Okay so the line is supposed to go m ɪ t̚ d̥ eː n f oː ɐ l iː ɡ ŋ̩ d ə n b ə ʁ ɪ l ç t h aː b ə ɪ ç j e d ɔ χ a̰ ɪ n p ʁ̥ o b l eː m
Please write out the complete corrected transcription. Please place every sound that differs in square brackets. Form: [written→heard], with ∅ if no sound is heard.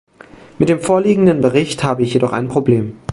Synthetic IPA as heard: m ɪ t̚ d̥ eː [n→m] f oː ɐ l iː ɡ ŋ̩ d ə n b ə ʁ ɪ [l→∅] ç t h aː b ə ɪ ç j e d ɔ χ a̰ ɪ n p ʁ̥ o b l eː m